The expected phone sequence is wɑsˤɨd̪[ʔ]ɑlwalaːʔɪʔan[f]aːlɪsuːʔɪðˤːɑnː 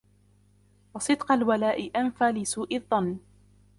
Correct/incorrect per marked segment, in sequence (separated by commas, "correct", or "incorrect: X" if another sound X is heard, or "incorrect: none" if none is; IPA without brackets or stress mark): incorrect: q, correct